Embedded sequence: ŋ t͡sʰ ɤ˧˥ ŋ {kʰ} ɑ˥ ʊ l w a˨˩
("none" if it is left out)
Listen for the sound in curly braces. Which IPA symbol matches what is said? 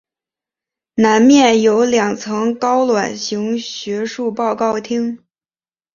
k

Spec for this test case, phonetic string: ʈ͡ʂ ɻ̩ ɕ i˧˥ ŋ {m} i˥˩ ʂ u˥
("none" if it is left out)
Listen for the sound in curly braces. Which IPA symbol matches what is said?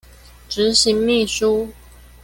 m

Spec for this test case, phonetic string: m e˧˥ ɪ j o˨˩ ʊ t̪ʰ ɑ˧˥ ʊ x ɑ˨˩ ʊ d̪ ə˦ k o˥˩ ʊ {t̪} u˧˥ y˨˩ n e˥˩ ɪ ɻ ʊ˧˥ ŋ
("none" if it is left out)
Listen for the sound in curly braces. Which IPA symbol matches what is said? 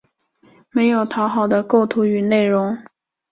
t̪ʰ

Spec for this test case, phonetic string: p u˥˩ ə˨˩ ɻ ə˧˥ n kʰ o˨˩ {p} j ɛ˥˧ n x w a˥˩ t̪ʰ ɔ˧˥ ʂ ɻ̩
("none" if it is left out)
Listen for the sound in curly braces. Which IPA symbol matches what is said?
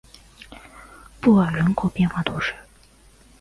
p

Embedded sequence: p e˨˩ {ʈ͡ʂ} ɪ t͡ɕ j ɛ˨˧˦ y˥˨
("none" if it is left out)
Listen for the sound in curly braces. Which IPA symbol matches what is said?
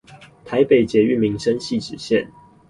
none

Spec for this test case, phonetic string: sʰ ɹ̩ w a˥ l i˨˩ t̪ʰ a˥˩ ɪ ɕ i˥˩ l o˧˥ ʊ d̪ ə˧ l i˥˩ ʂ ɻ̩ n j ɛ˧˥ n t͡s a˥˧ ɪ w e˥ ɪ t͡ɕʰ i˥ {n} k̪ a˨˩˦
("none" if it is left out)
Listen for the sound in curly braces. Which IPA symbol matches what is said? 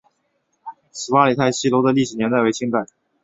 ŋ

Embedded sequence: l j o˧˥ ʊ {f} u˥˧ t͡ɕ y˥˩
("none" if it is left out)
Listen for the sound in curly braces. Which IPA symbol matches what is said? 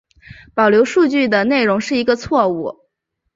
ʂ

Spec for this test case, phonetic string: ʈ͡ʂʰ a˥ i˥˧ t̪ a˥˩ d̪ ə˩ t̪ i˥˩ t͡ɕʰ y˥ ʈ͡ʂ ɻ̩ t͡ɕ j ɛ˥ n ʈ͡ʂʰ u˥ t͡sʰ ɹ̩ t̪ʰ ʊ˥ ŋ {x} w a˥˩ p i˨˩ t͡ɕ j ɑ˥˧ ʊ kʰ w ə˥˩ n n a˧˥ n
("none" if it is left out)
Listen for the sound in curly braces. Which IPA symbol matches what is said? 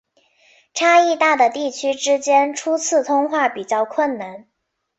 x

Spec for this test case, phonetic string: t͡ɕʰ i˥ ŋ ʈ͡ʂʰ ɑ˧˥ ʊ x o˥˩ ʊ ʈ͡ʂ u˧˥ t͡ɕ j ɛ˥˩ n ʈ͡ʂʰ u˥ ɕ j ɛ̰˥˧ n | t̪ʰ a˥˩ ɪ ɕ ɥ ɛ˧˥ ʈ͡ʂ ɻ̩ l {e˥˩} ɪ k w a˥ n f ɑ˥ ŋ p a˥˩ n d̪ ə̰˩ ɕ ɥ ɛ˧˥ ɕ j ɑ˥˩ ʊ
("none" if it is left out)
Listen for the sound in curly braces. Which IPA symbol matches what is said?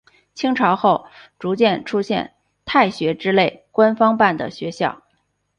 e˥˩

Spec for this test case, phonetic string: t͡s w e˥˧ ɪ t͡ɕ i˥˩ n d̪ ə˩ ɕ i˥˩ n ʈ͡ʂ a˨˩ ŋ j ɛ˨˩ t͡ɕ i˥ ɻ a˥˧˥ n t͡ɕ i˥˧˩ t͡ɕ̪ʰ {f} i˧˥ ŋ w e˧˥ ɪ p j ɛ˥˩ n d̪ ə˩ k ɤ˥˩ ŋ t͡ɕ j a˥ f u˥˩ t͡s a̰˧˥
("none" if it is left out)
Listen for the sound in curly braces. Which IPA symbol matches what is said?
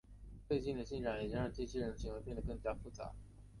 ɕ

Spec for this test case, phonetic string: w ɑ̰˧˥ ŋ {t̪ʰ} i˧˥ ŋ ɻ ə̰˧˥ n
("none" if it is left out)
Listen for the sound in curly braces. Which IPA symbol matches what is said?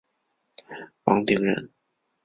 t̪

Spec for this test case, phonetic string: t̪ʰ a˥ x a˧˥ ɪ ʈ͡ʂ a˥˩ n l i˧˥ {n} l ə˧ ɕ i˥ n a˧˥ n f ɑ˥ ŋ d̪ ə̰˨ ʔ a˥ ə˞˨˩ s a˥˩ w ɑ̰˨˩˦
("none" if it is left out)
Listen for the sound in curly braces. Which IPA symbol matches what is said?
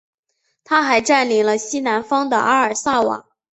ŋ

